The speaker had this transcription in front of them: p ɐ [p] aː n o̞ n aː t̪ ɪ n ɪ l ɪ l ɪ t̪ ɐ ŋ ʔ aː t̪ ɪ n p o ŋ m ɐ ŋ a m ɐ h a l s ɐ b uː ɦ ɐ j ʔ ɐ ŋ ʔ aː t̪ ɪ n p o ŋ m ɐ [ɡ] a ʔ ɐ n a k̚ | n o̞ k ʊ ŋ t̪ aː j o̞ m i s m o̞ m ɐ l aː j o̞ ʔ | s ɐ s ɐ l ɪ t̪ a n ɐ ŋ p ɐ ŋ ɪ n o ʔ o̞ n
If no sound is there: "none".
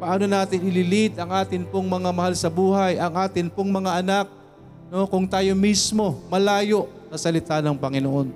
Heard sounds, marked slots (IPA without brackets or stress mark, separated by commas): ʔ, ŋ